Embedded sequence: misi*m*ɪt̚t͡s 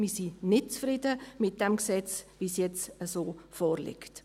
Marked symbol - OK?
no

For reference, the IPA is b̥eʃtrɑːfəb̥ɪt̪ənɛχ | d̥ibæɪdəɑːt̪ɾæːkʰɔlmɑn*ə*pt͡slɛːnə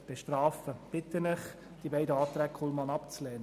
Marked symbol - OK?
no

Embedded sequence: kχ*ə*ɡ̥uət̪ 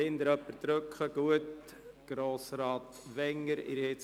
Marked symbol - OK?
yes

